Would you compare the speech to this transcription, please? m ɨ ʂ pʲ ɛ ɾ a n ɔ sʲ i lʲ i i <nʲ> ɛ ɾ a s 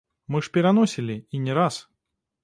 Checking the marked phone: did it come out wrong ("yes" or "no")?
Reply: no